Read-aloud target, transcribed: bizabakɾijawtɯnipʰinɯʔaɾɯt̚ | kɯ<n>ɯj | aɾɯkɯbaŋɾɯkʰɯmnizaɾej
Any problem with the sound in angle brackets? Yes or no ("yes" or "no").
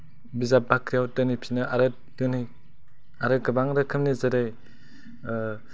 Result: no